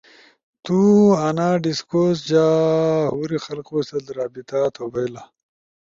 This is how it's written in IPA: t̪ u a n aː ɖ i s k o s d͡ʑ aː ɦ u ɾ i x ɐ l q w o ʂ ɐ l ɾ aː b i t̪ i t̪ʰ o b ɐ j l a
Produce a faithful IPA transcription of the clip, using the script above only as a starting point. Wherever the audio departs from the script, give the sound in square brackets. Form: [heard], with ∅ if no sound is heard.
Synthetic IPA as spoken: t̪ u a n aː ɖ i s k o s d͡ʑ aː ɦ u ɾ i x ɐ l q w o [s] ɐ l ɾ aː b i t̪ [a] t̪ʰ o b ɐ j l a

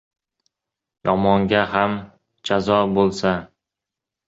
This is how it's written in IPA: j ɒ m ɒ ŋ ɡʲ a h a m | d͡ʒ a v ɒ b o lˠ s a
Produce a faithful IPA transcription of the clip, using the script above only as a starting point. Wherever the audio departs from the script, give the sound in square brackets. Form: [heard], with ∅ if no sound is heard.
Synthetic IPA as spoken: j ɒ m ɒ ŋ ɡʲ a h a m | d͡ʒ a [z] ɒ b o lˠ s a

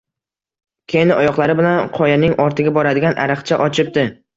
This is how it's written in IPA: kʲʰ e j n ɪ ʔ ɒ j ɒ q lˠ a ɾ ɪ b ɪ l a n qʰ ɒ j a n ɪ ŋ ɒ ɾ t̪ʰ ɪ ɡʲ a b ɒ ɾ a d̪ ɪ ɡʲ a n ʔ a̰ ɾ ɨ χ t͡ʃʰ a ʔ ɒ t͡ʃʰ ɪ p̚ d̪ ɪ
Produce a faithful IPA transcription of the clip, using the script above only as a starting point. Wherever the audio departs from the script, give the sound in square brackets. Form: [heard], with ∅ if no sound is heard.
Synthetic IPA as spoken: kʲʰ e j n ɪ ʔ ɒ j ɒ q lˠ a ɾ ɪ b ɪ l a n qʰ ɒ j a n ɪ ŋ ɒ ɾ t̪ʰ ɪ ɡʲ a b ɒ ɾ a d̪ ɪ ɡʲ a n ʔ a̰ ɾ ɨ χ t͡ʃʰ a ʔ ɒ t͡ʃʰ ɪ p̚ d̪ ɪ

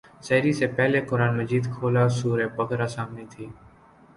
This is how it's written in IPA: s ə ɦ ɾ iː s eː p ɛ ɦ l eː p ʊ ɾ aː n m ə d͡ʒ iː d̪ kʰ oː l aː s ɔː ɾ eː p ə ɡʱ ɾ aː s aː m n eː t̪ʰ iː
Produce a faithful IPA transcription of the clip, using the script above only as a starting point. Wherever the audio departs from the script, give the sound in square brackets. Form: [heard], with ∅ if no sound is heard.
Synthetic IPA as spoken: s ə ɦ ɾ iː s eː p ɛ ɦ l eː [k] ʊ ɾ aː n m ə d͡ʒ iː d̪ kʰ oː l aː s [uː] ɾ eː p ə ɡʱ ɾ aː s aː m n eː t̪ʰ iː

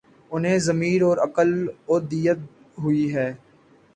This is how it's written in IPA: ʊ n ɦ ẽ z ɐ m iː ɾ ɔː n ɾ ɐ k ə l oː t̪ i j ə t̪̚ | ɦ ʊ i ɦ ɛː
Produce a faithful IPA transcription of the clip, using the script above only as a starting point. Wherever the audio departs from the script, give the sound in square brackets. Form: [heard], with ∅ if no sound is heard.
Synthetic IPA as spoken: ʊ n ɦ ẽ z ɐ m iː ɾ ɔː [∅] ɾ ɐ k ə l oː [d̪] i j ə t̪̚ | ɦ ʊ i ɦ ɛː

